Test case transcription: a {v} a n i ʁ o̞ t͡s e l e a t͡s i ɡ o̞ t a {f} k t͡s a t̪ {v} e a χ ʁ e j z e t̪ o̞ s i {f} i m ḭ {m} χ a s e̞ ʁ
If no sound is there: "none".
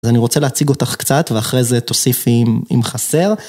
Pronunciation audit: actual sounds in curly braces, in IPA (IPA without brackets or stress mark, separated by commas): z, χ, v, f, m